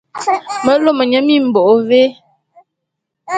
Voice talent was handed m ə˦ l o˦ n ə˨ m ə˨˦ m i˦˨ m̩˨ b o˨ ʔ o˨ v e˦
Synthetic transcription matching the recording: m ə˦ l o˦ m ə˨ ɲ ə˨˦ m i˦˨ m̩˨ b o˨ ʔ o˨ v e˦